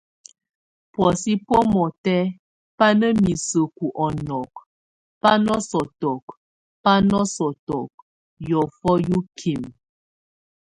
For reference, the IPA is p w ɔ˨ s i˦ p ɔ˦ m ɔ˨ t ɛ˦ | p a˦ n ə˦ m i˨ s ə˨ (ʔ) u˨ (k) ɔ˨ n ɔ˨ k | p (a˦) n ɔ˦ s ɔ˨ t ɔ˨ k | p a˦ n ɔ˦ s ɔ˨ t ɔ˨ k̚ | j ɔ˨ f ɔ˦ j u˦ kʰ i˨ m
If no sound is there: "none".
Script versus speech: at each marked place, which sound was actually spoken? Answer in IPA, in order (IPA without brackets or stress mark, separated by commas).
k, ʔ, a˦